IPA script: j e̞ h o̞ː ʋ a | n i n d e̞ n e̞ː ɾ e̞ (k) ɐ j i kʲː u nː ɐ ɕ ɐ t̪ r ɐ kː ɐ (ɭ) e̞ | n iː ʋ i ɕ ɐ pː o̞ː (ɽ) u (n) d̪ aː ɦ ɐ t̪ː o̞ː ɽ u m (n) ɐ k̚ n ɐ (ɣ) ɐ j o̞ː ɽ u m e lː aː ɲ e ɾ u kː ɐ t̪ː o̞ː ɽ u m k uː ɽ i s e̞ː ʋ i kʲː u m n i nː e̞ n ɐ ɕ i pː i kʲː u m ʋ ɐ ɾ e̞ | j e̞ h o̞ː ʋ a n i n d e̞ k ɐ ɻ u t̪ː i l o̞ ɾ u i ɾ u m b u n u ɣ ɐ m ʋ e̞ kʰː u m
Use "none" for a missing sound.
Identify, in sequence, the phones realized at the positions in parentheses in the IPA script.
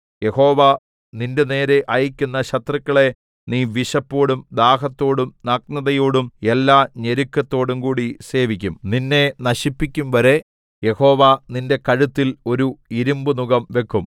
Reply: ʔ, ɭ, ɽ, m, n, ð

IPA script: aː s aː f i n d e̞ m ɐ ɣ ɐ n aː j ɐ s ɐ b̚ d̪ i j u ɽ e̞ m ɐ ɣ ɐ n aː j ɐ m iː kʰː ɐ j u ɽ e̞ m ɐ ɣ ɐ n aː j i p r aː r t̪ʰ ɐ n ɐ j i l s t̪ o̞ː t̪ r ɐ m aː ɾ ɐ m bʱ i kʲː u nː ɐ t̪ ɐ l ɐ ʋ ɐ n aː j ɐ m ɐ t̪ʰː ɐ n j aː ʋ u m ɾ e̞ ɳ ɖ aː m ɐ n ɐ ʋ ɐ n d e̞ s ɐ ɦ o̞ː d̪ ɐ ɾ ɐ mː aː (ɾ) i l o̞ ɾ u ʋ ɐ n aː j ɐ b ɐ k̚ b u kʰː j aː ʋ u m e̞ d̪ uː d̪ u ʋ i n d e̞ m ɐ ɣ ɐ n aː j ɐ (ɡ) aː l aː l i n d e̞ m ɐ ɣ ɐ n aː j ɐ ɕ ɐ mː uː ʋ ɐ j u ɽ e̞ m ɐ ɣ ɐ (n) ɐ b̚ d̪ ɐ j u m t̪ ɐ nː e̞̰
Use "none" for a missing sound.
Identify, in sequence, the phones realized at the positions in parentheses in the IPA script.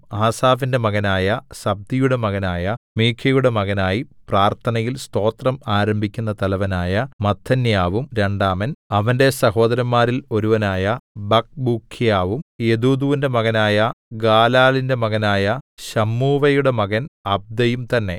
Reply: ɾ, ɡ, n

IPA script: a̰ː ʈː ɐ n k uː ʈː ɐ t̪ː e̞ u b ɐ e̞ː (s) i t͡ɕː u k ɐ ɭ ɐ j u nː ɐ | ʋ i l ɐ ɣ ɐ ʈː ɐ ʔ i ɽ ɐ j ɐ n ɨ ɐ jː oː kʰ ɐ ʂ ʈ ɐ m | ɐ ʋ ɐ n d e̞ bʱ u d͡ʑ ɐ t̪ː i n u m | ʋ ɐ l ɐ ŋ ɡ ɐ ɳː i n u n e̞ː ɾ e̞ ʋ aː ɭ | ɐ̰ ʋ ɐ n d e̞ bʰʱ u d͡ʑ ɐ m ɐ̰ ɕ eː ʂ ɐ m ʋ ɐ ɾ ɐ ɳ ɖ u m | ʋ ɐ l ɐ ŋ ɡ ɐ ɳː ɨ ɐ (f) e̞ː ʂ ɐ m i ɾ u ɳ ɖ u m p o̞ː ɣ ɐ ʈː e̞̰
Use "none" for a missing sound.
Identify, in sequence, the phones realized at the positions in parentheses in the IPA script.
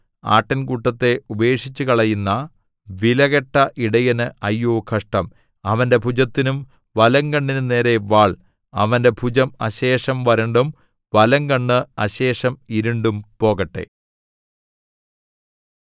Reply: ʂ, ɕ

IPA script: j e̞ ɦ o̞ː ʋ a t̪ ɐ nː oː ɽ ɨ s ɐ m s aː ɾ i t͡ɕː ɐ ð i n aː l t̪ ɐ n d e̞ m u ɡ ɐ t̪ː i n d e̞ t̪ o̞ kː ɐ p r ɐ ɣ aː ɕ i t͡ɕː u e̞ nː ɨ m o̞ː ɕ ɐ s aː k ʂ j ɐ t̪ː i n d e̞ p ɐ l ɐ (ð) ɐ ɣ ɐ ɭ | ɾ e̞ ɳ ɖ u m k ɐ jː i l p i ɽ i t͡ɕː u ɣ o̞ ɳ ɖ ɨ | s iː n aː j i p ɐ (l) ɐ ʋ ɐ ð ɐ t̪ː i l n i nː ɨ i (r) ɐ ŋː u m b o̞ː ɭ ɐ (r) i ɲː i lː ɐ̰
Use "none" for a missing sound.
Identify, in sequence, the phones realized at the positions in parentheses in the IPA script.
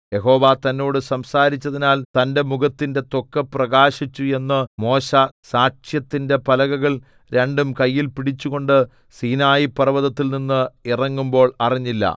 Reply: ɣ, r, r, r

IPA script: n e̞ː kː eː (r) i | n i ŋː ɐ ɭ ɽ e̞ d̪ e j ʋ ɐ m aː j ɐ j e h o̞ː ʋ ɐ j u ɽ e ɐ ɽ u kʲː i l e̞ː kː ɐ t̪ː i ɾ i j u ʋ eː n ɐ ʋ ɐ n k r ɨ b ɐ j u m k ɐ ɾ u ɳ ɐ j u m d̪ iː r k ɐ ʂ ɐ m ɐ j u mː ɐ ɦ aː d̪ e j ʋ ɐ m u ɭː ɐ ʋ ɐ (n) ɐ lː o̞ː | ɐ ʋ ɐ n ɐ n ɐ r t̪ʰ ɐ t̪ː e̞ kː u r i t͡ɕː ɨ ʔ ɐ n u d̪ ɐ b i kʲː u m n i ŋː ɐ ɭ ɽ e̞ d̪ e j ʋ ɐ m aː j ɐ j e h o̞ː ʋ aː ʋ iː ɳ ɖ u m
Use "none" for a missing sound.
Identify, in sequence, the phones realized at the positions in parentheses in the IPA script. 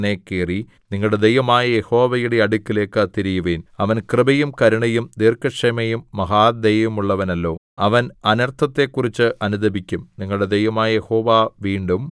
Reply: r, n

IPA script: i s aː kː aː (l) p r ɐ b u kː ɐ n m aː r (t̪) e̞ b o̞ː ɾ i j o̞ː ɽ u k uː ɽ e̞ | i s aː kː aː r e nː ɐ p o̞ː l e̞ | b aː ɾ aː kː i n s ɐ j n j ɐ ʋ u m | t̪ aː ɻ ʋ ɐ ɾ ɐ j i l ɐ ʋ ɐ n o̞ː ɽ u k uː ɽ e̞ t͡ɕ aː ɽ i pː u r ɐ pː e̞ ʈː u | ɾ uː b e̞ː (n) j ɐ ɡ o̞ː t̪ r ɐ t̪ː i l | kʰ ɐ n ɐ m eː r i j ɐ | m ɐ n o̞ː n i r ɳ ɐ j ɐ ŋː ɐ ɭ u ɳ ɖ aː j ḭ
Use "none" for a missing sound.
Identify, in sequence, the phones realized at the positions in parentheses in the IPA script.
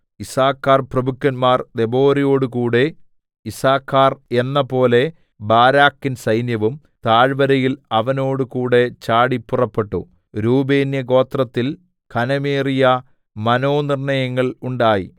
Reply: r, d̪, n

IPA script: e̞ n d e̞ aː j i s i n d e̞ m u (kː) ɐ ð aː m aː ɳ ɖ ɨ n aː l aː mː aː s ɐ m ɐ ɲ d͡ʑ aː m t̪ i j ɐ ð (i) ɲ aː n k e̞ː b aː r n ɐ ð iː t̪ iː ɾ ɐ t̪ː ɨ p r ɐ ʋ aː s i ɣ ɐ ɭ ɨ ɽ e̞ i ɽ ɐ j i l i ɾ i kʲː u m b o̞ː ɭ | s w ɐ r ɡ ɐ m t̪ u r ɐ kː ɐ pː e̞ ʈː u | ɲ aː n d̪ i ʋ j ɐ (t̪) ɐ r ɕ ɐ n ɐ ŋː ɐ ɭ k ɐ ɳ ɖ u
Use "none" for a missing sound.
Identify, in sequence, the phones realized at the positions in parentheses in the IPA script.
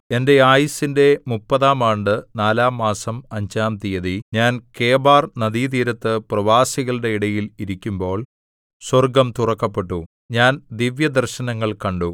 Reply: pː, i, d̪

